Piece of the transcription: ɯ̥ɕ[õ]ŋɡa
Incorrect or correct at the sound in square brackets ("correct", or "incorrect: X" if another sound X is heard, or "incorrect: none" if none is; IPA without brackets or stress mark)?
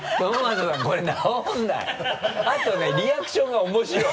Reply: correct